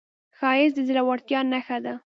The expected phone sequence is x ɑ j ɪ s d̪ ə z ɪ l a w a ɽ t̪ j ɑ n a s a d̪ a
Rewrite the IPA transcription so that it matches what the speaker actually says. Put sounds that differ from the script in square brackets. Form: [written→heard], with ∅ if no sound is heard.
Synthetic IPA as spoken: x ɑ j ɪ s d̪ ə z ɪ l a w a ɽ t̪ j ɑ n a [s→x] a d̪ a